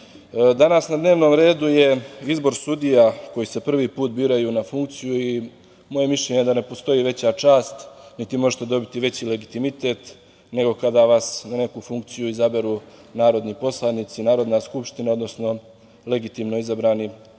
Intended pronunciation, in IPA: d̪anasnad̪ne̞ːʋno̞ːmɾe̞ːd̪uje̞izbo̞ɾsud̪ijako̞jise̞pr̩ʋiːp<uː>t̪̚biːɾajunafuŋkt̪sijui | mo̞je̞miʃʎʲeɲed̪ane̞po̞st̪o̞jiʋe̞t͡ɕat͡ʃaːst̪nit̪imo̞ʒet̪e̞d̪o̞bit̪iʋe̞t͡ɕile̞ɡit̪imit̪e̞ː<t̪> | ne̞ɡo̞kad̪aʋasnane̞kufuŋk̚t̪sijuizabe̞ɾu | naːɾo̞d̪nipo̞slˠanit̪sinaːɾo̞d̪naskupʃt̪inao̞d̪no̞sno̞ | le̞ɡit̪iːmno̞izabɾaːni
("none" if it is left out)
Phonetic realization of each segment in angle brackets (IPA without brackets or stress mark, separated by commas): uː, t̪